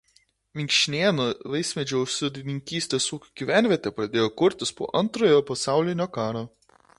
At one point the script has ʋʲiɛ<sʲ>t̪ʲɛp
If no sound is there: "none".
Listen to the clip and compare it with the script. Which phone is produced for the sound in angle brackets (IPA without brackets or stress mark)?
none